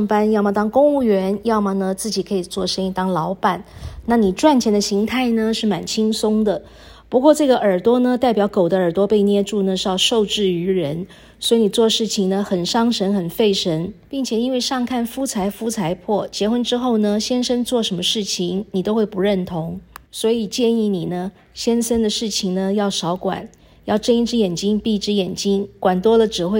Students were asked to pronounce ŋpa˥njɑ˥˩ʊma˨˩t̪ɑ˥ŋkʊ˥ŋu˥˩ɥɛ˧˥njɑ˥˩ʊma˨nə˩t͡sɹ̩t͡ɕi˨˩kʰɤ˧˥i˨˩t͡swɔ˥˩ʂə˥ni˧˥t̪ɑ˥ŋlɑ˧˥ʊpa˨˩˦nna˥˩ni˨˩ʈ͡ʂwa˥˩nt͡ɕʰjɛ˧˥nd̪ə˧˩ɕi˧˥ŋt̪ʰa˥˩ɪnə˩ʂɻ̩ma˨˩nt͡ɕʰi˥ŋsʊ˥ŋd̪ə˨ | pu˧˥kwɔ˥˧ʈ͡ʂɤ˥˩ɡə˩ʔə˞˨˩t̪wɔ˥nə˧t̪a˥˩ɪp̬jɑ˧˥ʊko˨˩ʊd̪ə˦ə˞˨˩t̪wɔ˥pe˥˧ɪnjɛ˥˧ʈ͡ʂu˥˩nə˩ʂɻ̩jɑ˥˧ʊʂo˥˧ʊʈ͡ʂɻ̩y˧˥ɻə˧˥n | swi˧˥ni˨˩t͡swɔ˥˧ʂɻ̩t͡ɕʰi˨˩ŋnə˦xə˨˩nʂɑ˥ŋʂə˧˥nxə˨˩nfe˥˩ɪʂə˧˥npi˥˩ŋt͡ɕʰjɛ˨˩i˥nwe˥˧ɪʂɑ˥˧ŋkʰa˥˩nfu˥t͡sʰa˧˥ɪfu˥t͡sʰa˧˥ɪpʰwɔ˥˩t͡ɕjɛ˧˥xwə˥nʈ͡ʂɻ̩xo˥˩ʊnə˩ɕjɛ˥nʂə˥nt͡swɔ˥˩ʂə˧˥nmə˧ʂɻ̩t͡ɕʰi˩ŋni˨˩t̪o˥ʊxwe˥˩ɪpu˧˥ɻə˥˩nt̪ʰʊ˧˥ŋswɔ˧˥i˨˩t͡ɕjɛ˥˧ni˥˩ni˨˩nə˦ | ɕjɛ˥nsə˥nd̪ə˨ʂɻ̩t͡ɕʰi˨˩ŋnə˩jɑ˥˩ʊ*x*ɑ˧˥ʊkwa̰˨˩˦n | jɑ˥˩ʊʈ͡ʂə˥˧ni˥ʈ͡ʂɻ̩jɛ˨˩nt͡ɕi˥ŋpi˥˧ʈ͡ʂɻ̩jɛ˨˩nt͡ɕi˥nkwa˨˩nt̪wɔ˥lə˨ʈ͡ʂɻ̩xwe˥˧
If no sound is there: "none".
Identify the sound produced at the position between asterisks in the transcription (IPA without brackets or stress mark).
ʂ